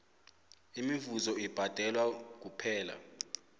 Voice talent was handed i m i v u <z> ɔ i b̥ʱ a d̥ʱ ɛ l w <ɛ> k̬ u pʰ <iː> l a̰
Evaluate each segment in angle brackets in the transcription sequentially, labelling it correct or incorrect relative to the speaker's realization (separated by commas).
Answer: correct, incorrect, incorrect